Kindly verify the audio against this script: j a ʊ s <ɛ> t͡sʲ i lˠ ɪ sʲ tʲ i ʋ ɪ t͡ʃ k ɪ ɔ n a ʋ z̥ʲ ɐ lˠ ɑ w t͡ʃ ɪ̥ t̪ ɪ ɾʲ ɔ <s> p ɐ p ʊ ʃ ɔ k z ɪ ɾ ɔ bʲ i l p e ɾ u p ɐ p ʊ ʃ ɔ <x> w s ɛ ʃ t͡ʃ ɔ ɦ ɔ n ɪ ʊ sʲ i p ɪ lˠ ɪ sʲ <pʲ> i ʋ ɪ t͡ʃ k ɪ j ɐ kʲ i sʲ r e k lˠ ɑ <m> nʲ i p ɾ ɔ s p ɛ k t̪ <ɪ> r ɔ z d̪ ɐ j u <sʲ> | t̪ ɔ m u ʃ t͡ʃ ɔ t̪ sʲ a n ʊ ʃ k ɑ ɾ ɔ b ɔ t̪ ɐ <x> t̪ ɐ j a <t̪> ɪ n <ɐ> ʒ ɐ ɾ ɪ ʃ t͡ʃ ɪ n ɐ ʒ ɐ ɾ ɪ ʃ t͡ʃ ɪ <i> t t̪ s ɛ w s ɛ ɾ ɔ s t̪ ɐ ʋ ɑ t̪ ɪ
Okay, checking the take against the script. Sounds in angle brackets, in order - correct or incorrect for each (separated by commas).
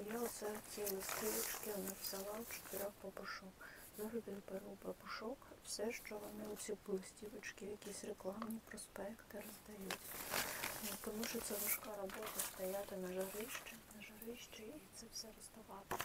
correct, incorrect, incorrect, incorrect, correct, correct, incorrect, incorrect, correct, correct, correct